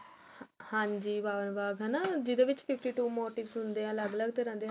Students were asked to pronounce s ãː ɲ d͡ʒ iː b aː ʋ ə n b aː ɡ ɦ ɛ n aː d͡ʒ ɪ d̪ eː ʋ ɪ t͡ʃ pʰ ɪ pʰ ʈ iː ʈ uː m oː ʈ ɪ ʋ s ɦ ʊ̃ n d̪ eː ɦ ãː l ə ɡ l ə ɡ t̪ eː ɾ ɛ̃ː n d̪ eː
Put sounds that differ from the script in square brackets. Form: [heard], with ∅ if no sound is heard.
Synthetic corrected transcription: [h] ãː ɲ d͡ʒ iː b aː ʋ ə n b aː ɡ ɦ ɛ n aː d͡ʒ ɪ d̪ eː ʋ ɪ t͡ʃ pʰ ɪ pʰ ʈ iː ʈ uː m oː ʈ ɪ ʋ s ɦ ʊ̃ n d̪ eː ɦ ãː l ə ɡ l ə ɡ t̪ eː ɾ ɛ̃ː n d̪ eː